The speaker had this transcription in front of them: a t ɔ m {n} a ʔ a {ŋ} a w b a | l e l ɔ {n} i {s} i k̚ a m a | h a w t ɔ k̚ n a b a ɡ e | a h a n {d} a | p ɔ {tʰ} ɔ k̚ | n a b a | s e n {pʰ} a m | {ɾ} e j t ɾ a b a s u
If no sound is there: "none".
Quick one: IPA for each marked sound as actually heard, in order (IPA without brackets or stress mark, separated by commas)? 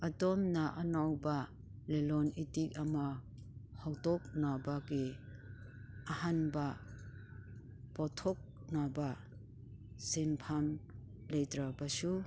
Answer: n, n, n, t, b, tʰ, pʰ, l